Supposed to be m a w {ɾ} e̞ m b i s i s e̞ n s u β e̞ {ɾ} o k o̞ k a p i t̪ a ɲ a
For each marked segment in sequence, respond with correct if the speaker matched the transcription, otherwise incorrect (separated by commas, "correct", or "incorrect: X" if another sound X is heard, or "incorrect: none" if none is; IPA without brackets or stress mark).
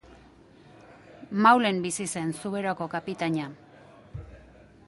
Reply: incorrect: l, correct